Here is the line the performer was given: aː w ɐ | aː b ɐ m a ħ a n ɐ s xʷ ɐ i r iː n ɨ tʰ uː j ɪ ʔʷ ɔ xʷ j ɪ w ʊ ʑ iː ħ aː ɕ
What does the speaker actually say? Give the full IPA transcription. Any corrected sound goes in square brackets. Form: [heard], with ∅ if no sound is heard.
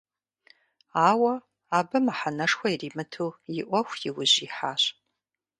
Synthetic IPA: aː w ɐ | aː b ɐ m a ħ a n ɐ [ʂ] xʷ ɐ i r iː [m] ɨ tʰ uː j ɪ ʔʷ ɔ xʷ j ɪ w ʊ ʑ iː ħ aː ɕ